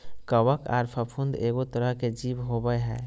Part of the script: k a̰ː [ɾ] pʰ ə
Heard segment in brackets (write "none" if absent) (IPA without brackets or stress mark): ɾ